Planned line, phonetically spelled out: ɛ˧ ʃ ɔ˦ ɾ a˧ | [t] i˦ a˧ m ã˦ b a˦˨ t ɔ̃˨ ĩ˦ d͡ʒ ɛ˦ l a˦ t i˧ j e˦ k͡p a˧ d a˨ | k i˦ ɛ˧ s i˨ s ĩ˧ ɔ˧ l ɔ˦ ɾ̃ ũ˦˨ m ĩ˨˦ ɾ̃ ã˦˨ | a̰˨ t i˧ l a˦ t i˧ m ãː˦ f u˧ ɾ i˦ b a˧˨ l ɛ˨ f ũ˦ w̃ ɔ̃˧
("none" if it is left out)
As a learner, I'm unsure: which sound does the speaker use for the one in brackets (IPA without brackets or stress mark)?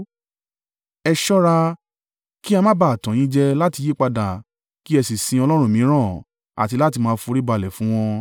k